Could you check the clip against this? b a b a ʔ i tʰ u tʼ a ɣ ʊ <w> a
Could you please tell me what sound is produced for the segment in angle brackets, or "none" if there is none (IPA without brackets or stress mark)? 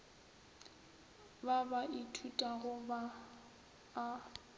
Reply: b